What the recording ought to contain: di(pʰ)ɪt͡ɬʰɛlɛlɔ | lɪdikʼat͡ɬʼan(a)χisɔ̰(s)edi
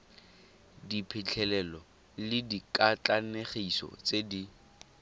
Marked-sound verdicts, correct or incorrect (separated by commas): correct, incorrect, incorrect